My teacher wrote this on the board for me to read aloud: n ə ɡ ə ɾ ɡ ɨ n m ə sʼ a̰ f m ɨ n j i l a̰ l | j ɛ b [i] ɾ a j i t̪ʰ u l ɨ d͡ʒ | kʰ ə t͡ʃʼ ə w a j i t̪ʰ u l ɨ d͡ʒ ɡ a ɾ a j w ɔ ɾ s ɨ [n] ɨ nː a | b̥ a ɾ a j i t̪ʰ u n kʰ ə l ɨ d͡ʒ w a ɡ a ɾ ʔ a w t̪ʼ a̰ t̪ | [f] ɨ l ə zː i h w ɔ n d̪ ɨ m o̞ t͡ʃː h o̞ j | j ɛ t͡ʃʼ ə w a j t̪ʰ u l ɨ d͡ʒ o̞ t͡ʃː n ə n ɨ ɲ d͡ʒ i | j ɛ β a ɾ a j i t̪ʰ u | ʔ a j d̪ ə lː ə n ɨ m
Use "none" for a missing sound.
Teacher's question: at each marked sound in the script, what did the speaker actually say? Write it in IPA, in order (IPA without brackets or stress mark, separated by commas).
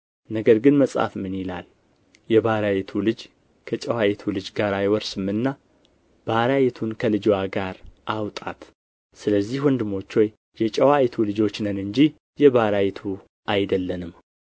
a, m, s